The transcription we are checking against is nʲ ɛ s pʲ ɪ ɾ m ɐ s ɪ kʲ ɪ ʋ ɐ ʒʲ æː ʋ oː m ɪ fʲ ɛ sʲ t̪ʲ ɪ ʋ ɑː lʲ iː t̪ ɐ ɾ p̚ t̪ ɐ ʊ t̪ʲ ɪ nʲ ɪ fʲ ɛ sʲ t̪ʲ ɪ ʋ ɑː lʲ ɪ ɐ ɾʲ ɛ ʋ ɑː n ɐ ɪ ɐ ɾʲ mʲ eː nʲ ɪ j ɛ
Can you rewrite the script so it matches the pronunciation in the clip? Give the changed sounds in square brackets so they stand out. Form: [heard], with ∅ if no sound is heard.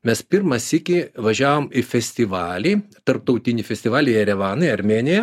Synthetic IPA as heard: [mʲ] ɛ s pʲ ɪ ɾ m ɐ s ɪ kʲ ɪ ʋ ɐ ʒʲ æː ʋ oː m ɪ fʲ ɛ sʲ t̪ʲ ɪ ʋ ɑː lʲ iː t̪ ɐ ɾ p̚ t̪ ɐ ʊ t̪ʲ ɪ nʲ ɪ fʲ ɛ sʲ t̪ʲ ɪ ʋ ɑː lʲ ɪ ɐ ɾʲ ɛ ʋ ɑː n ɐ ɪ ɐ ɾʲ mʲ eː nʲ ɪ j ɛ